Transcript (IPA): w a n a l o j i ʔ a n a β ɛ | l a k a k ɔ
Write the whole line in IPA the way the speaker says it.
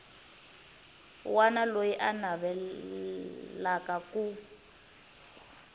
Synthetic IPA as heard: w a n a l o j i ʔ a n a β ɛ | l a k a k u